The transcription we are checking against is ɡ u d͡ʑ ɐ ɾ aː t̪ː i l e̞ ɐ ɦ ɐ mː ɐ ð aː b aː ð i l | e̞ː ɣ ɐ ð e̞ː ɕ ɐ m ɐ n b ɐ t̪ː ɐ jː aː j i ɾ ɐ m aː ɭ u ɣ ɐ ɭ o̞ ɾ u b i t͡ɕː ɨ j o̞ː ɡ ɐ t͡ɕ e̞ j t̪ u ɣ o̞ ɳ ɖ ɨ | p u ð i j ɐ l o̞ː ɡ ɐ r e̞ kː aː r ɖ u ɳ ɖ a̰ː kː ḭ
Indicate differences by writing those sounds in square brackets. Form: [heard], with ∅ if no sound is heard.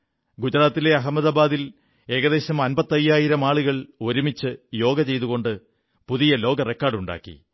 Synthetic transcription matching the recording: ɡ u d͡ʑ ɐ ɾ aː t̪ː i l e̞ ɐ ɦ ɐ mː ɐ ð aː b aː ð i l | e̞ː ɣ ɐ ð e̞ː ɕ ɐ m ɐ n b ɐ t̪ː ɐ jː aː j i ɾ ɐ m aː ɭ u ɣ ɐ ɭ o̞ ɾ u [m] i t͡ɕː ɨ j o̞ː ɡ ɐ t͡ɕ e̞ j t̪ u ɣ o̞ ɳ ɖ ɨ | p u ð i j ɐ l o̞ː ɡ ɐ r e̞ kː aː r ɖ u ɳ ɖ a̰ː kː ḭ